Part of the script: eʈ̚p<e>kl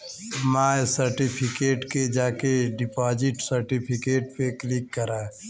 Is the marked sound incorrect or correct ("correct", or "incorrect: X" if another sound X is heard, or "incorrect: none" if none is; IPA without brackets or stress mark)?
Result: correct